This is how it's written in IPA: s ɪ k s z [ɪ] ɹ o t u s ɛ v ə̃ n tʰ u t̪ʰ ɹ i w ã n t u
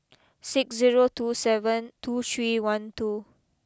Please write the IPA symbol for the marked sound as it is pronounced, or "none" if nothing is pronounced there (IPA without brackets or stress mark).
i